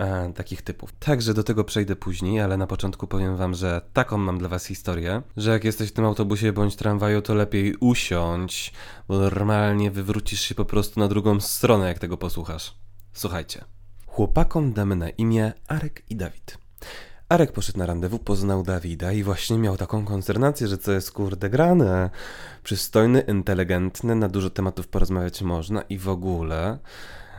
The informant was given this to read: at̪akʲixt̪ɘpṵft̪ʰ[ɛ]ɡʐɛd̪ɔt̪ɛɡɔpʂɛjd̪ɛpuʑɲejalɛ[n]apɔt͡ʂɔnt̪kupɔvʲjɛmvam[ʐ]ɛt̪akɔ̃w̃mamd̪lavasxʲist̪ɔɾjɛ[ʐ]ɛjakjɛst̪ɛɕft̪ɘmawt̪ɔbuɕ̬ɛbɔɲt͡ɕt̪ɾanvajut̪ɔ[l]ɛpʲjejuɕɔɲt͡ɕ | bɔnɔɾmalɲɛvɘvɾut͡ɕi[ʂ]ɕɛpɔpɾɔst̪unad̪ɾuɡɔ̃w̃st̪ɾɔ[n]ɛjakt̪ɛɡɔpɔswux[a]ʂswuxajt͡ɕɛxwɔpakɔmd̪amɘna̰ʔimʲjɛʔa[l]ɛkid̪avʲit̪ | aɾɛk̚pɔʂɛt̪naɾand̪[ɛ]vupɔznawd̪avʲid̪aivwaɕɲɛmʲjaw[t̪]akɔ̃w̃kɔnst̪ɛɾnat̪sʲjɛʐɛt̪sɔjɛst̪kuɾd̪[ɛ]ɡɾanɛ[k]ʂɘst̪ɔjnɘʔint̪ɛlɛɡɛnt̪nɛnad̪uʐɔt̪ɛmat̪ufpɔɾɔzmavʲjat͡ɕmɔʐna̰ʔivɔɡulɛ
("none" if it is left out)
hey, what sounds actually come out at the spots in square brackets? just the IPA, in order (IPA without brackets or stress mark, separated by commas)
a, n, ʐ, ʐ, l, ʂ, n, a, ɾ, ɛ, t̪, ɛ, p